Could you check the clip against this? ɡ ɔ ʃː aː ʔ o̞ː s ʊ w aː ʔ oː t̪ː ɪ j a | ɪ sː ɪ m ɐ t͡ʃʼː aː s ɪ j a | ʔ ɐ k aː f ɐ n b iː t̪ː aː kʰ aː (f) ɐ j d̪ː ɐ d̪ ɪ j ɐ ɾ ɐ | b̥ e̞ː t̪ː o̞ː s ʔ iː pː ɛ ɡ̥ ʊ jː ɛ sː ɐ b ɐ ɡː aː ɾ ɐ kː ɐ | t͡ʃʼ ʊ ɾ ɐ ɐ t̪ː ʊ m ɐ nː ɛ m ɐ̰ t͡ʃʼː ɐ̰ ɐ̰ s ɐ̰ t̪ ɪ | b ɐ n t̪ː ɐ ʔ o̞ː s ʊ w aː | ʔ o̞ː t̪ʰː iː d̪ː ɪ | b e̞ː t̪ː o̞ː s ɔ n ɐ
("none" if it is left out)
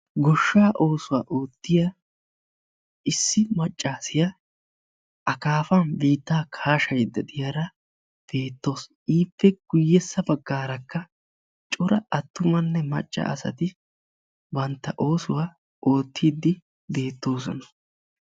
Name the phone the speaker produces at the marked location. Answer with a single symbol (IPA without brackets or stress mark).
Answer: ʃ